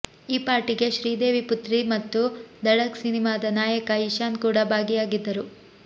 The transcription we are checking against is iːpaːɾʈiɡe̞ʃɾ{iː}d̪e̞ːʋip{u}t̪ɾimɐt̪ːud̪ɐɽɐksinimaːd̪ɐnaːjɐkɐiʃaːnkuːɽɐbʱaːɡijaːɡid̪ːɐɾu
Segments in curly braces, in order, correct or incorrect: correct, correct

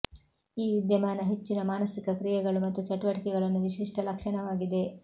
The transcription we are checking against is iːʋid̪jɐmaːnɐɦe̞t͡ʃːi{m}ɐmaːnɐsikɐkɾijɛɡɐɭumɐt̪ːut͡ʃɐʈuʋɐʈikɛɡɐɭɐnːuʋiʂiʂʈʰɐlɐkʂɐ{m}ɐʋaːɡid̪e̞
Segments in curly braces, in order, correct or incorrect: incorrect: n, incorrect: ɳ

